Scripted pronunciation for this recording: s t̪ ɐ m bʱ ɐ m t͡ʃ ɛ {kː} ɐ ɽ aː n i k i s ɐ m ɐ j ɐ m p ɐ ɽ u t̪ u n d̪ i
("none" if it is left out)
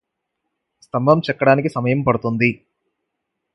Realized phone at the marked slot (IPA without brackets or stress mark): kː